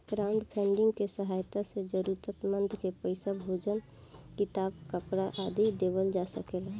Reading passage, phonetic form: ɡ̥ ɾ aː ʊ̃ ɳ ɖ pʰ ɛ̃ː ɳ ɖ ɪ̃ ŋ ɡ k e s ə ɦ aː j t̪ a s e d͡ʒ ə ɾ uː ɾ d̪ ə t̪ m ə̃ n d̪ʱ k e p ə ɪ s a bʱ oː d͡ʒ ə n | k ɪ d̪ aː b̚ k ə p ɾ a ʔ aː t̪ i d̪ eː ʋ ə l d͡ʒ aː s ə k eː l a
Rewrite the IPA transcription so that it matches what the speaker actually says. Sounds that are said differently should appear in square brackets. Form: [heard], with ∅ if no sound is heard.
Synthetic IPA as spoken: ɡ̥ ɾ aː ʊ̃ ɳ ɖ pʰ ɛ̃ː ɳ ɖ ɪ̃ ŋ ɡ k e s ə ɦ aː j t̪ a s e d͡ʒ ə ɾ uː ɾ [t̪] ə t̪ m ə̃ n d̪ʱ k e p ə ɪ s a bʱ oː d͡ʒ ə n | k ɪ [t̪] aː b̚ k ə p ɾ a ʔ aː [d̪] i d̪ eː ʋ ə l d͡ʒ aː s ə k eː l a